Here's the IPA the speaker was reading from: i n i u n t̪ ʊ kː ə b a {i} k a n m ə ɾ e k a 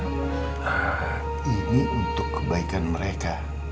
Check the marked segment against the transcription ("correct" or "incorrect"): correct